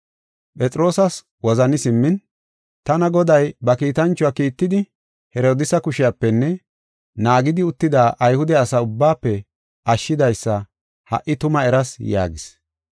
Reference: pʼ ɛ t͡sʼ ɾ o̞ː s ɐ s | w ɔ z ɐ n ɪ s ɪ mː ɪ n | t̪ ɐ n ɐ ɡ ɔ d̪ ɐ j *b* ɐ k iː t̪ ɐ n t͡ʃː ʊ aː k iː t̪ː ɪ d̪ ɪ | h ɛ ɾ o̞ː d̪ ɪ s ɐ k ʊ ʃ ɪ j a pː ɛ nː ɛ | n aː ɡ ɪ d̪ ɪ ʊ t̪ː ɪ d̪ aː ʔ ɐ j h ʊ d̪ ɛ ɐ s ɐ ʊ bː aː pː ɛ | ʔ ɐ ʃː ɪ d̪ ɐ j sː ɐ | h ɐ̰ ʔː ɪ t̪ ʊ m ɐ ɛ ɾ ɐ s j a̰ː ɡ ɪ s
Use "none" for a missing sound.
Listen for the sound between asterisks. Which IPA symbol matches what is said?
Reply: b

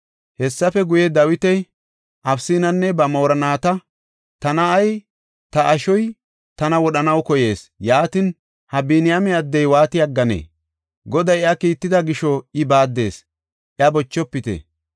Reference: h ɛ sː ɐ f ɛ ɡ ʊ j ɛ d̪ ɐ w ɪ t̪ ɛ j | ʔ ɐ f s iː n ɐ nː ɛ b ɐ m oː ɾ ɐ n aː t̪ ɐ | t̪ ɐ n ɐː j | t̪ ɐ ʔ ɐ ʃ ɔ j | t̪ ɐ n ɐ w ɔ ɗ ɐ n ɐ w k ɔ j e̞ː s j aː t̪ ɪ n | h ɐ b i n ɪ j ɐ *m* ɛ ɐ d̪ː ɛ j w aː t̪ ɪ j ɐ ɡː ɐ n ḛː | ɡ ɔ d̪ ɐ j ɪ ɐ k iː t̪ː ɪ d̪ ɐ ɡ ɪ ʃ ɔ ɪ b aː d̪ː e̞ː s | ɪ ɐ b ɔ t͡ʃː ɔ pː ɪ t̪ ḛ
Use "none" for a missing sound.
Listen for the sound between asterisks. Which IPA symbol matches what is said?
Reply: m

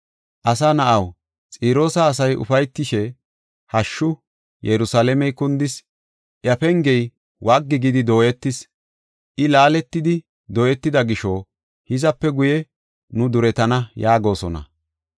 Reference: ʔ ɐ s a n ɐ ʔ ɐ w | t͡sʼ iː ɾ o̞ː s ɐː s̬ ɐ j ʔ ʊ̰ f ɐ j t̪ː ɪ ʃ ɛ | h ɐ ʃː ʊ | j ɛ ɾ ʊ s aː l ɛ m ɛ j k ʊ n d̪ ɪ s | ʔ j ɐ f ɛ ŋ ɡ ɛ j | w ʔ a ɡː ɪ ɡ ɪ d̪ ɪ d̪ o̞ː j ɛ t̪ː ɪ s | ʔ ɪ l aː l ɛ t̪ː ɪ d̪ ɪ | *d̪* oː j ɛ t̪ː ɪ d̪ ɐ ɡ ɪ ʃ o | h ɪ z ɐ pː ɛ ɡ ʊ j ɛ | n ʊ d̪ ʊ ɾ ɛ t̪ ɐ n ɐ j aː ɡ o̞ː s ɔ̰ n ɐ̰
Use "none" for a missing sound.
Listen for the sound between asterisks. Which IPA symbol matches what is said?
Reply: d̪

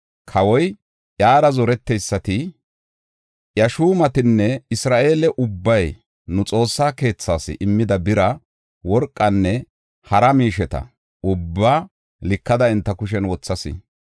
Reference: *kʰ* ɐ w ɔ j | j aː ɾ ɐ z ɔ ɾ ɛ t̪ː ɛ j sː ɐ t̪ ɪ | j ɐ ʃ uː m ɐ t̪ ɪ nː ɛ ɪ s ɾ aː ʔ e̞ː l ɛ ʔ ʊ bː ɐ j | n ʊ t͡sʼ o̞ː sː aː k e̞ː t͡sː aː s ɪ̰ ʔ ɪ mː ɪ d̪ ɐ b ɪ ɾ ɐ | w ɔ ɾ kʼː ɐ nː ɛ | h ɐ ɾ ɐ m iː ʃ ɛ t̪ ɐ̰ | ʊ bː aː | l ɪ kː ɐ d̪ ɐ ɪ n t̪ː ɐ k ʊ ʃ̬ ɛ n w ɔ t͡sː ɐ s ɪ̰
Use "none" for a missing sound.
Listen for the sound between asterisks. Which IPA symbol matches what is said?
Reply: kʰ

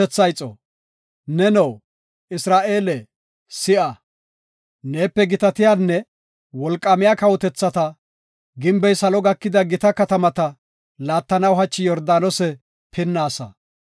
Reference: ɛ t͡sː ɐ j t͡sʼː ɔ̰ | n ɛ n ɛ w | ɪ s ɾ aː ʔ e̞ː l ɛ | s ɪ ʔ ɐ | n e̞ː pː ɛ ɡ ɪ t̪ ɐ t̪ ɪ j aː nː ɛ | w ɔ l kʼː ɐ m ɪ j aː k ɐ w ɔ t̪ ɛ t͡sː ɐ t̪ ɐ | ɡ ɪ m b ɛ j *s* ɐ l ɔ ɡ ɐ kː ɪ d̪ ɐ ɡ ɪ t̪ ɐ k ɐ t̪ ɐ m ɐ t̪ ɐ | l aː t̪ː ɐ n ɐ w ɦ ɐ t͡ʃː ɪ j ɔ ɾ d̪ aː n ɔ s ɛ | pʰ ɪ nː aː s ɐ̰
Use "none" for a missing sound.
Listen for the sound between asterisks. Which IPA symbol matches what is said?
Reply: s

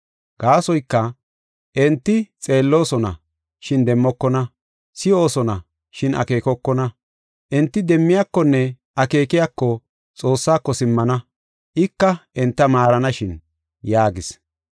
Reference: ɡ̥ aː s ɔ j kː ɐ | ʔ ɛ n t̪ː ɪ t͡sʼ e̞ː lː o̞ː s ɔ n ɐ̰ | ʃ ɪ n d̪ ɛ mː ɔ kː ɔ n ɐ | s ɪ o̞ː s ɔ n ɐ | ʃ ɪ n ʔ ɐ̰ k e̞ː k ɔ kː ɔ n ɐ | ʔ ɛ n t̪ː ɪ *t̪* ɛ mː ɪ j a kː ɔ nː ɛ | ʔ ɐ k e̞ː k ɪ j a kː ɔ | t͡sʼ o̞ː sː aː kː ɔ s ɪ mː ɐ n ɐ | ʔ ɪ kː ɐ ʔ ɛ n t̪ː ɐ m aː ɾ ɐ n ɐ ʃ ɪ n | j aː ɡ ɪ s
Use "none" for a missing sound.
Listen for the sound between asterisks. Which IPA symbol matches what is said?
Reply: d̪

